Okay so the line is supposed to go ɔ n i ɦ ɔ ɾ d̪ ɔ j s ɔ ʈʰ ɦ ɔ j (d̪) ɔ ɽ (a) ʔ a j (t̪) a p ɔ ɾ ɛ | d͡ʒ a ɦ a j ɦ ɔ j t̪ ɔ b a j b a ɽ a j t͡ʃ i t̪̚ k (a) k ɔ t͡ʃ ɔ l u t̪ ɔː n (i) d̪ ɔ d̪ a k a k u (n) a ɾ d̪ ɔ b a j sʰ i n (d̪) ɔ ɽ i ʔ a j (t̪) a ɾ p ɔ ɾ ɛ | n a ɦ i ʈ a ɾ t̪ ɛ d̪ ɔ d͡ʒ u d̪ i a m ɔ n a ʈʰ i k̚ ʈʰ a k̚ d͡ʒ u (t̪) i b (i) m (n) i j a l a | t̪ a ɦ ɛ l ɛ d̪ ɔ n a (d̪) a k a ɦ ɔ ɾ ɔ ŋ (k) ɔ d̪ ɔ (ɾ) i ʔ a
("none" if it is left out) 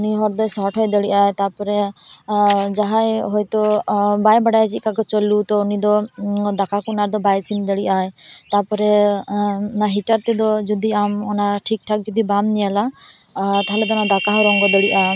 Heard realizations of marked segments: d̪, i, t̪, a, i, n, d̪, t̪, d̪, a, n, d̪, ɡ, ɽ

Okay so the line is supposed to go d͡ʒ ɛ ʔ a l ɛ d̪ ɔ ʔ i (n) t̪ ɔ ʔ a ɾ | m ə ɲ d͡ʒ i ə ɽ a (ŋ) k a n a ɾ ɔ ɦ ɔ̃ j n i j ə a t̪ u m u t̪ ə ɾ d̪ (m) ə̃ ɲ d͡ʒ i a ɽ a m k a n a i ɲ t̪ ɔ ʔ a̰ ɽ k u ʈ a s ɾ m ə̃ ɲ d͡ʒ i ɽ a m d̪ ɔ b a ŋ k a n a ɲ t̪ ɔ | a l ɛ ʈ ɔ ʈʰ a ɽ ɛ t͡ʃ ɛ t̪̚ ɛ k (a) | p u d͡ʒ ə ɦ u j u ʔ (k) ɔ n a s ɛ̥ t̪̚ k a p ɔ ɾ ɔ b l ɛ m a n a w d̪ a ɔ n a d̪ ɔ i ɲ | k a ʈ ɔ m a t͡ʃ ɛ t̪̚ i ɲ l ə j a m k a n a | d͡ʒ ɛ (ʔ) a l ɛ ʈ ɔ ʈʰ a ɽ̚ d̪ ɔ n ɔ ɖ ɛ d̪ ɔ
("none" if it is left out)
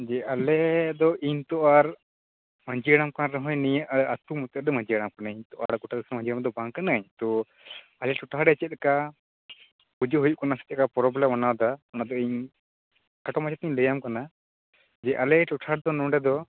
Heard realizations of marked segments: ɲ, m, m, a, k, ʔ

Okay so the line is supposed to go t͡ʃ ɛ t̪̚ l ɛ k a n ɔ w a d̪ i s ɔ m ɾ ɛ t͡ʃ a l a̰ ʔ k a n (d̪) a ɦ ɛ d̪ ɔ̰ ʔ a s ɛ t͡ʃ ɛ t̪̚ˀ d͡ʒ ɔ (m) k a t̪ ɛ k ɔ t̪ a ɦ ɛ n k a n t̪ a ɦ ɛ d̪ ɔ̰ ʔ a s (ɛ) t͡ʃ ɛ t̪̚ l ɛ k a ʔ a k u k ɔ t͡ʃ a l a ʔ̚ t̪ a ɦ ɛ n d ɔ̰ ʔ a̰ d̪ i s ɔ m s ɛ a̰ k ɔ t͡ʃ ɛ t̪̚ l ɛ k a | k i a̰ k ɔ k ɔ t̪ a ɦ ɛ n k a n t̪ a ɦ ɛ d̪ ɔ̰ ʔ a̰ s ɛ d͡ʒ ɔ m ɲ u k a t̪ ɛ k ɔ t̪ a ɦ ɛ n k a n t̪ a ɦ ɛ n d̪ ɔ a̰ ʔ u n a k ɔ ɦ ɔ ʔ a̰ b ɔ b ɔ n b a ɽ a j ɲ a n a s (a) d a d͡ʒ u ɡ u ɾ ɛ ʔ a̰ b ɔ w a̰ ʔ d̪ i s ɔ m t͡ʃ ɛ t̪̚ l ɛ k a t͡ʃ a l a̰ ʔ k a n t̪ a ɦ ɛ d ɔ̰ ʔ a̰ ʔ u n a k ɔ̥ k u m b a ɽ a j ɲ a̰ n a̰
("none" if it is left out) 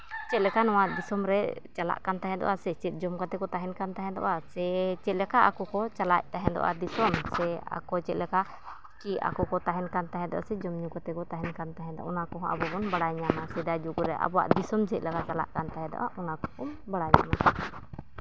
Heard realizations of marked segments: t̪, m, ɛ, ɛ

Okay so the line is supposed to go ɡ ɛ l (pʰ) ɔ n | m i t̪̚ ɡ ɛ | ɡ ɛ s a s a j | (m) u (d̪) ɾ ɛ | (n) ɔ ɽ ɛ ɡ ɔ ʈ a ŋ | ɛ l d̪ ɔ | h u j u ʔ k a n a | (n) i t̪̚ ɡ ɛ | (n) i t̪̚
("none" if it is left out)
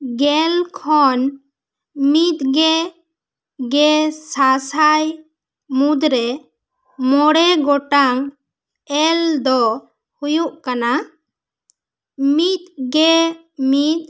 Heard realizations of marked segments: kʰ, m, d̪, m, m, m

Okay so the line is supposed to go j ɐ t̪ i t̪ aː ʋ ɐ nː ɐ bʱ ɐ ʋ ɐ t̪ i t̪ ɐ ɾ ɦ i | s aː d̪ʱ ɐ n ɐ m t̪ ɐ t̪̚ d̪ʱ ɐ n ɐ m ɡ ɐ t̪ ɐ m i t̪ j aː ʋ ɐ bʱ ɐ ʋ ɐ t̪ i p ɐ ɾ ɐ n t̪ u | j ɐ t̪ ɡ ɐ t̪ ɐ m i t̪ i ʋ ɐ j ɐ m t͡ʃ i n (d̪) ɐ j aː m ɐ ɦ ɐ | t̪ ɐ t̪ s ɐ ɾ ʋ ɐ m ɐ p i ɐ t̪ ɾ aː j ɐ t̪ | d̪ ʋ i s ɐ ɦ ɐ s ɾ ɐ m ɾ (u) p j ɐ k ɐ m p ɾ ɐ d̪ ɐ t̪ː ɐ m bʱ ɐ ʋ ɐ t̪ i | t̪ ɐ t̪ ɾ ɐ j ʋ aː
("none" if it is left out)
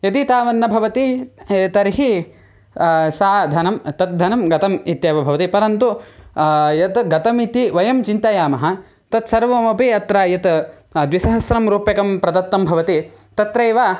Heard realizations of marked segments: t̪, uː

